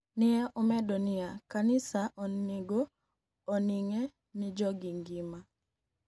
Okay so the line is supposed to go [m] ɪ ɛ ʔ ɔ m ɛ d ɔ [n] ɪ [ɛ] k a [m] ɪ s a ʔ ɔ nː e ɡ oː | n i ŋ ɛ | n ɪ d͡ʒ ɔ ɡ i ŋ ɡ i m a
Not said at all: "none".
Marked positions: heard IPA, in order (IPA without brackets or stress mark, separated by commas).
n, n, a, n